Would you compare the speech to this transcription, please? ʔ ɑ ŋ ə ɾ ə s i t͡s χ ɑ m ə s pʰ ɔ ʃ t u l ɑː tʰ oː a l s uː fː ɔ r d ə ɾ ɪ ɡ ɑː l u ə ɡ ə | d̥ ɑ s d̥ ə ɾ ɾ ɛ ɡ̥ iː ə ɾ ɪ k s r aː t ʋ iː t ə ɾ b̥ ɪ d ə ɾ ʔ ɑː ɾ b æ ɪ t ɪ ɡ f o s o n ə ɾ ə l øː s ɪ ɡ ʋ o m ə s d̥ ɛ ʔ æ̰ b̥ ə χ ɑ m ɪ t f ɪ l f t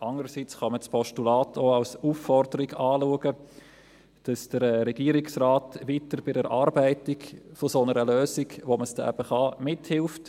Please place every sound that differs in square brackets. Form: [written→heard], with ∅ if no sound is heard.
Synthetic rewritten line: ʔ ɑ ŋ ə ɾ ə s i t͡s χ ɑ m ə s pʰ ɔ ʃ t u l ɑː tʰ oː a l s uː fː ɔ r d ə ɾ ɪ ɡ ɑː l u ə ɡ ə | d̥ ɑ s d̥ ə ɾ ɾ ɛ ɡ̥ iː ə ɾ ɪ k s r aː t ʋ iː t ə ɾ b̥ ɪ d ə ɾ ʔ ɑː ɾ b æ ɪ t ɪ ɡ f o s o n ə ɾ ə l øː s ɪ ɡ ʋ o m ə s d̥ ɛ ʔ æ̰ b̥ ə χ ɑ m ɪ t [f→h] ɪ l f t